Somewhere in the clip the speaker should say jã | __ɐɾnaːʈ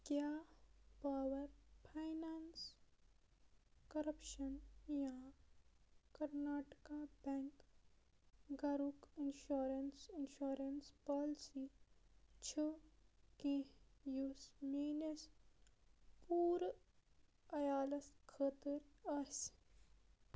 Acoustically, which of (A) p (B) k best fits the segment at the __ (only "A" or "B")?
B